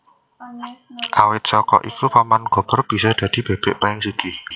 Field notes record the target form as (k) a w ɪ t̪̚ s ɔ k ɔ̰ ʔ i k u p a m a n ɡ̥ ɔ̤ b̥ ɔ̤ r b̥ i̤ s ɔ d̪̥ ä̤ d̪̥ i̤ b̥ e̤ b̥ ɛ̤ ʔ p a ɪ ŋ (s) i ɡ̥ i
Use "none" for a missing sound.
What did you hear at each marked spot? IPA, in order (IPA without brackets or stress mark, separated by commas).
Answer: ʔ, s